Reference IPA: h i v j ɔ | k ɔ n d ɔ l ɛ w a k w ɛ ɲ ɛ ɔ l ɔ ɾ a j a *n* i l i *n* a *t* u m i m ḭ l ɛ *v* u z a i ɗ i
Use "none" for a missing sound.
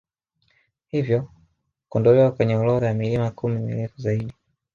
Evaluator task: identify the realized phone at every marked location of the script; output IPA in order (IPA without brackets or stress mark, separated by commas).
m, m, k, f